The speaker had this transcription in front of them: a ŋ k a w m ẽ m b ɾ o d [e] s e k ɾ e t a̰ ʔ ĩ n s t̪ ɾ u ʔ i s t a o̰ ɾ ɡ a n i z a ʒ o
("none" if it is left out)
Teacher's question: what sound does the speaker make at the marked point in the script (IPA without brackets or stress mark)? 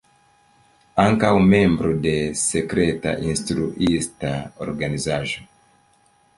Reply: e